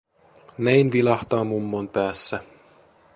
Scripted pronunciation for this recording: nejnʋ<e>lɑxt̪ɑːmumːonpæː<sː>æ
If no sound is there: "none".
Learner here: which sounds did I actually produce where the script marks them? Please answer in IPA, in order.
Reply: i, sː

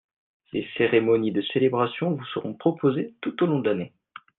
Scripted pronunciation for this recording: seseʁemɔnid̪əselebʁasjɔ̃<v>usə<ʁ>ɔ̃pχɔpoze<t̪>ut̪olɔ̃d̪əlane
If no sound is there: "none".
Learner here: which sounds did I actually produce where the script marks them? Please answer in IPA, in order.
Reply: v, ʁ, t̪

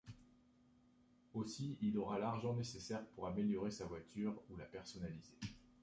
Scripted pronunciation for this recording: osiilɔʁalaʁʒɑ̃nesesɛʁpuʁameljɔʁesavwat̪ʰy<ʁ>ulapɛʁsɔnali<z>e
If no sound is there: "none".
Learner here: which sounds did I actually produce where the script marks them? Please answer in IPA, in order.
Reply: ʁ, z

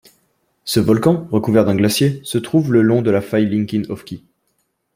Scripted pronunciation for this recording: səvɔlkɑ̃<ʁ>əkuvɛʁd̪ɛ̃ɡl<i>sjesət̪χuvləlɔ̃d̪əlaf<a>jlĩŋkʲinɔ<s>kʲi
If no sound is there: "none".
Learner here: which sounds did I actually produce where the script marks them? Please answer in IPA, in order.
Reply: ʁ, a, a, f

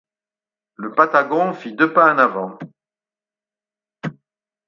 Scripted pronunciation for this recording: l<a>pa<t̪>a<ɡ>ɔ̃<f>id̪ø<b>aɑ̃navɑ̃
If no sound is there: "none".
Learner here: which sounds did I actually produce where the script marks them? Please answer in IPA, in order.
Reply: ə, t̪, ɡ, f, p

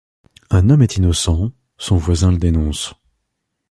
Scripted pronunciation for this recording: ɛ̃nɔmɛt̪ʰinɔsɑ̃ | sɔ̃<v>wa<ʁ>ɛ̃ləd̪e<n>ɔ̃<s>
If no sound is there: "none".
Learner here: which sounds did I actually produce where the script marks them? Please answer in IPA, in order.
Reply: v, z, n, s

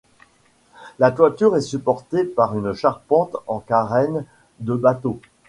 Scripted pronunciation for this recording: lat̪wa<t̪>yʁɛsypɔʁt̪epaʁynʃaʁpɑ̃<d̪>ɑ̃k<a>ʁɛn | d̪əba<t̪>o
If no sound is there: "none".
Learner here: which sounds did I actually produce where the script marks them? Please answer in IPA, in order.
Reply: t̪, t̪, a, t̪

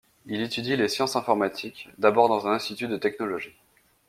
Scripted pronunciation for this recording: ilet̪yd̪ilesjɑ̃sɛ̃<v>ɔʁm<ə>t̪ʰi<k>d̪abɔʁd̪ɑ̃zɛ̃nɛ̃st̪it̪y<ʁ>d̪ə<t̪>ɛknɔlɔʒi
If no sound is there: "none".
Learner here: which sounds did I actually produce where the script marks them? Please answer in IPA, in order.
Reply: f, a, k, none, t̪

